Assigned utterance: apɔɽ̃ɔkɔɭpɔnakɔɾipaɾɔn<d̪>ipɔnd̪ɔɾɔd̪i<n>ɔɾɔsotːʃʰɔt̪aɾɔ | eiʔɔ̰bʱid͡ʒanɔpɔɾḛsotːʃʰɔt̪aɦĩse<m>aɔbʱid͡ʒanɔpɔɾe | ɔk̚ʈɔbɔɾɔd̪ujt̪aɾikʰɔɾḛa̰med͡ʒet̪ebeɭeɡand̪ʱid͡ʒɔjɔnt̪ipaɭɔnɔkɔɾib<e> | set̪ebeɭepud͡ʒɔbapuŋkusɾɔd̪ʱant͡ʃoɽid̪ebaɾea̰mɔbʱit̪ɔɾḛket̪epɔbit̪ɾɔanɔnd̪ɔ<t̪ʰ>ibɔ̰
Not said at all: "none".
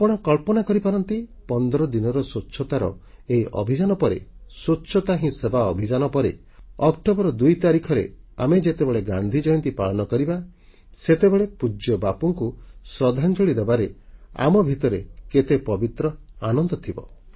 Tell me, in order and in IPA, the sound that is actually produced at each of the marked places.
t̪, n, b, a, t̪ʰ

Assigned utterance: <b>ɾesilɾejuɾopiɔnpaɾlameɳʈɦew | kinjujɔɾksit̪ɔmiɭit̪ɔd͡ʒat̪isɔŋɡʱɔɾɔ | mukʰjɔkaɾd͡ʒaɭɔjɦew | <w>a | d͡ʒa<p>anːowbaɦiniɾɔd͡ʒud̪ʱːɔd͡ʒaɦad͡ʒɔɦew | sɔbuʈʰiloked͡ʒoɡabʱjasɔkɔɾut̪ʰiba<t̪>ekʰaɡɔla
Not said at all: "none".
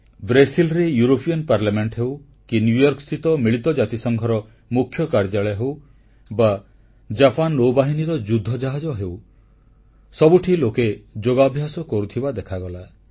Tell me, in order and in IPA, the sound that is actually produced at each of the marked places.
b, b, p, d̪

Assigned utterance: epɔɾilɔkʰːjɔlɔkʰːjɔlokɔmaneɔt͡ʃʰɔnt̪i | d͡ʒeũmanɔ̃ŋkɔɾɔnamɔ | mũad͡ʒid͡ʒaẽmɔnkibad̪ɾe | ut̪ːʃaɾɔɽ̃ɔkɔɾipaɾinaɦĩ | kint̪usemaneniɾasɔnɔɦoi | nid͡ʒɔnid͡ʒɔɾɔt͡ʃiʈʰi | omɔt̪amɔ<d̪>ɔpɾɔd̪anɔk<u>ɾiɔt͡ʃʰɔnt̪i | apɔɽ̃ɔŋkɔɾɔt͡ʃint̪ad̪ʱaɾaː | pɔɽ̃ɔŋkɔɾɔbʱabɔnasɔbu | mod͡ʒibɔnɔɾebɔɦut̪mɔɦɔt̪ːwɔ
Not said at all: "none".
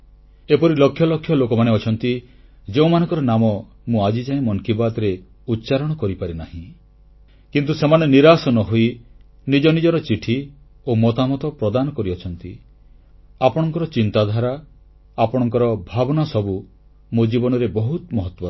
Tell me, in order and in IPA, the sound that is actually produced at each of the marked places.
t̪, ɔ

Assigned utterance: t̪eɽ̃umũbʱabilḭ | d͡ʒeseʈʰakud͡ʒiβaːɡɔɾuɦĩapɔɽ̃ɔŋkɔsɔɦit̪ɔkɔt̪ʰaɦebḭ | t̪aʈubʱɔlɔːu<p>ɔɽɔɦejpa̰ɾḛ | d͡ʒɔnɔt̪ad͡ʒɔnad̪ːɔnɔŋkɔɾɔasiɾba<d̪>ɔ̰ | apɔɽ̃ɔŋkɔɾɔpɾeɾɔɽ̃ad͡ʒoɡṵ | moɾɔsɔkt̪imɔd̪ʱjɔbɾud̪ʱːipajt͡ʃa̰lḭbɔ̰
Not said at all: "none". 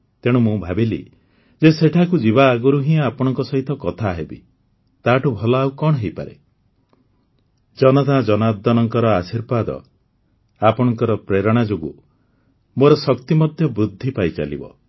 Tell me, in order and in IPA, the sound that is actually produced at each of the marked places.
k, d̪

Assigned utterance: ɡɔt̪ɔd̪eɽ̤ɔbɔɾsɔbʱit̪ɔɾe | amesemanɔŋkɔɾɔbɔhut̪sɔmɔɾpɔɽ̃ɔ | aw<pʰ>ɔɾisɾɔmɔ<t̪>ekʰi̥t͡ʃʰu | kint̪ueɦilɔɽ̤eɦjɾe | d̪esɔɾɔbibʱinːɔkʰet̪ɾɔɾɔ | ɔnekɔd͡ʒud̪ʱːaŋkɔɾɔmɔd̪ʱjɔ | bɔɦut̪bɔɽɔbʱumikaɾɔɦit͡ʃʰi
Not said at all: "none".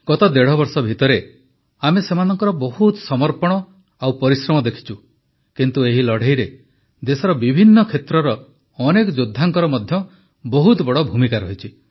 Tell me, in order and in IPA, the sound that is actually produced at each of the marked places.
p, d̪

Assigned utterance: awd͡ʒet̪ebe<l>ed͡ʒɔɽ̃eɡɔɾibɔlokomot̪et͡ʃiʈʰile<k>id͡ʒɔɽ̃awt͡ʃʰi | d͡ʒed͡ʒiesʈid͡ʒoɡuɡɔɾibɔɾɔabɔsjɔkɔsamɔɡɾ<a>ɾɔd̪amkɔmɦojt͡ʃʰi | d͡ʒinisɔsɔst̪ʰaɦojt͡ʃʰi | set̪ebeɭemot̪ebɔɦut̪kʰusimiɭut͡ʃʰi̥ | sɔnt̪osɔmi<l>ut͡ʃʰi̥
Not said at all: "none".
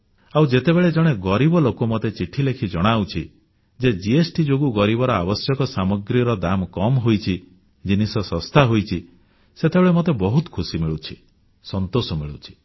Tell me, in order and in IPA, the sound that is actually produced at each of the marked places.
ɭ, kʰ, i, ɭ

